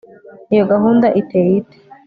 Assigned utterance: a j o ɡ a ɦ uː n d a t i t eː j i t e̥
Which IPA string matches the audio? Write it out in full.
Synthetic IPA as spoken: i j o ɡ a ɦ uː n d a ʔ i t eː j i t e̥

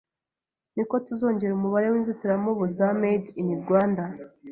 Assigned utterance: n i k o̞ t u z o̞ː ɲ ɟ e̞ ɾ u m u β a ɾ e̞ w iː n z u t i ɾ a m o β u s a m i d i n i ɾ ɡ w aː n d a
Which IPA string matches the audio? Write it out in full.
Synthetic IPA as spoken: n i k o̞ t u z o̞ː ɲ ɟ e̞ ɾ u m u β a ɾ e̞ w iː n z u t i ɾ a m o β u z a m e d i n i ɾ ɡ w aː n d a

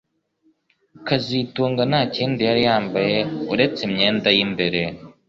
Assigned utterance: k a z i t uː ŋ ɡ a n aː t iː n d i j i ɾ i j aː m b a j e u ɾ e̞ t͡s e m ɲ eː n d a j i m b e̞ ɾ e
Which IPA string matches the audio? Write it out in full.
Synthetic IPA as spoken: k a z i t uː ŋ ɡ a n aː c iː n d i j a ɾ i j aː m b a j e u ɾ e̞ t͡s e m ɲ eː n d a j i m b e̞ ɾ e

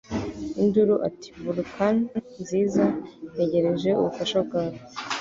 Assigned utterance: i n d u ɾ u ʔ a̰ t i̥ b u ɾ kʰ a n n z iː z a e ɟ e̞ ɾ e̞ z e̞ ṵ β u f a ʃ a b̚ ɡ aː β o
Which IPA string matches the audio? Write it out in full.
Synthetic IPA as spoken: i n d u ɾ u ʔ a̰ t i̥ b u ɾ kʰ a n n z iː z a e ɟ e̞ ɾ e̞ ʒ e̞ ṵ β u f a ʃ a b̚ ɡ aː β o

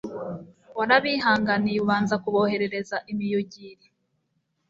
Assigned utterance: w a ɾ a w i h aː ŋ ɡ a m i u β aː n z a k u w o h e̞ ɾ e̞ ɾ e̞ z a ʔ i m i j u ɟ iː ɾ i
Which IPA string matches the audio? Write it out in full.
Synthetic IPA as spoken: w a ɾ a β i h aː ŋ ɡ a n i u β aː n z a k u β o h e̞ ɾ e̞ ɾ e̞ z a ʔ i m i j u ɟ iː ɾ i

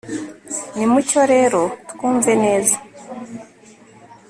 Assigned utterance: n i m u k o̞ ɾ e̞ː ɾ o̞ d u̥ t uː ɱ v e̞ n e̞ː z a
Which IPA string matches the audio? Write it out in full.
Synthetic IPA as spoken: n i m u c o̞ ɾ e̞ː ɾ o̞ t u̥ k uː ɱ v e̞ n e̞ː z a

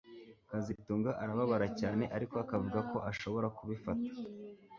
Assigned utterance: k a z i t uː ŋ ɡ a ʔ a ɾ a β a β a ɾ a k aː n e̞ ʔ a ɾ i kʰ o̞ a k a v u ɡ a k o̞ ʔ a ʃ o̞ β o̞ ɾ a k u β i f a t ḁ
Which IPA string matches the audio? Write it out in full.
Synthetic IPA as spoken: k a z i t uː ŋ ɡ a ʔ a ɾ a β a β a ɾ a c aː n e̞ ʔ a ɾ i k o̞ a k a v u ɡ a k o̞ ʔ a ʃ o̞ β o̞ ɾ a k u β i f a t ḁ

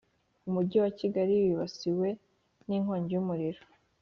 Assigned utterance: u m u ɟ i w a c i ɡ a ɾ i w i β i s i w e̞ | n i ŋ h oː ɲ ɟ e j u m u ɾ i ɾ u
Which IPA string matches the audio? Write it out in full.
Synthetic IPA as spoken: u m u ɟ i w a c i ɡ a ɾ i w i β a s i w e̞ | n i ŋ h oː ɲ ɟ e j u m u ɾ i ɾ o

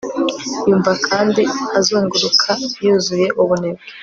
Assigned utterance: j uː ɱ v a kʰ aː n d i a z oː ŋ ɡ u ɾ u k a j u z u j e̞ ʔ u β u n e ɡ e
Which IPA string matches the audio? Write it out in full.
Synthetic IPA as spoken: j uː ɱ v a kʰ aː n d i a z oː ŋ ɡ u ɾ u kʰ a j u z u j e̞ ʔ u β u n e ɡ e

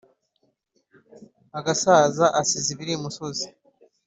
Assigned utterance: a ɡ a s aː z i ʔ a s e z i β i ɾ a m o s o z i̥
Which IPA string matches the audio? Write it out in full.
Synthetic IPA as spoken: a ɡ a s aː z a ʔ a s i z i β i ɾ i m u s o z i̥

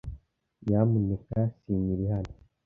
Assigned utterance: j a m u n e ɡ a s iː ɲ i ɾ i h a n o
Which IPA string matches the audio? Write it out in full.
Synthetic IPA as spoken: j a m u n e k a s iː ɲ i ɾ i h a n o

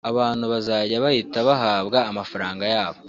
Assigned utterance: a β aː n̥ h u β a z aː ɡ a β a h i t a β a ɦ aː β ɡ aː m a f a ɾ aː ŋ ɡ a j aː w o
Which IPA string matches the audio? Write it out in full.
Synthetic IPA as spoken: a β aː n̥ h u β a z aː ɟ a β a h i t a β a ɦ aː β ɡ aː m a f a ɾ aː ŋ ɡ a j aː β o

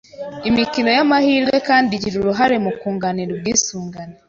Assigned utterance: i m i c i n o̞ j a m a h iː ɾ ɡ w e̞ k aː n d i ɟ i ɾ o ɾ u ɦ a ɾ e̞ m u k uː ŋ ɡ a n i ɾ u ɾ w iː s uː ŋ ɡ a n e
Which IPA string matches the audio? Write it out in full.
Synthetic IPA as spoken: i m i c i n o̞ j a m a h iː ɾ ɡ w e̞ k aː n d i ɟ i ɾ u ɾ u ɦ a ɾ e̞ m u k uː ŋ ɡ a n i ɾ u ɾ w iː s uː ŋ ɡ a n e

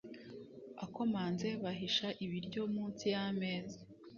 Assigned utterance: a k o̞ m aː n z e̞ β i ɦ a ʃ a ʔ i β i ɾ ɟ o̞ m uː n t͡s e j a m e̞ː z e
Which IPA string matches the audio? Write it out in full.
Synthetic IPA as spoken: a k o̞ m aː n z e̞ β a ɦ i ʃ a ʔ i β i ɾ ɟ o̞ m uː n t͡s i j a m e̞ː z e

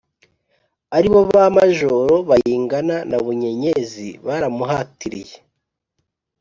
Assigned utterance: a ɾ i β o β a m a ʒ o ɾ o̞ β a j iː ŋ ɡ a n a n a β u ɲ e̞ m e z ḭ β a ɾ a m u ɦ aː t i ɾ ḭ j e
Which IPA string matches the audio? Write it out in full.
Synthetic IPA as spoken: a ɾ i β o β a m a ʒ o ɾ o̞ β a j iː ŋ ɡ a n a n a β u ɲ e̞ ɲ e z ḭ β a ɾ a m u ɦ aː t i ɾ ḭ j e

